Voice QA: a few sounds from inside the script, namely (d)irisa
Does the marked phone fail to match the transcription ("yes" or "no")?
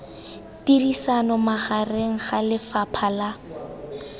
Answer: yes